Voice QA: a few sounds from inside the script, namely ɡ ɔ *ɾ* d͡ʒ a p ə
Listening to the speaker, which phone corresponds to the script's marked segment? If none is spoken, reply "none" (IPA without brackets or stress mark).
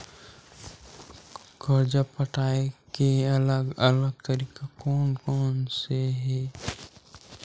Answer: ɾ